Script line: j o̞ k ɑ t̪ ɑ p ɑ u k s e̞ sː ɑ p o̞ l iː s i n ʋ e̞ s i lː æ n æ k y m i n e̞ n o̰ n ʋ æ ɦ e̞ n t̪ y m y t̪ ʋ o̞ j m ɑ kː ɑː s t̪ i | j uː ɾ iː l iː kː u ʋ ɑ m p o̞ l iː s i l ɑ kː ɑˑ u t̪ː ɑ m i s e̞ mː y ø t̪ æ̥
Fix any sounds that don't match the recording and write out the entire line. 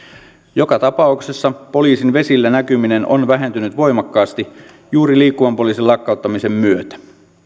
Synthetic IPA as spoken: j o̞ k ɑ t̪ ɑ p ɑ u k s e̞ sː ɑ p o̞ l iː s i n ʋ e̞ s i lː æ n æ k y m i n e̞ n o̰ n ʋ æ ɦ e̞ n t̪ y n y t̪ ʋ o̞ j m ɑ kː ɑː s t̪ i | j uː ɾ i l iː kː u ʋ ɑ m p o̞ l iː s i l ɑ kː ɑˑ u t̪ː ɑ m i s e̞ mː y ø t̪ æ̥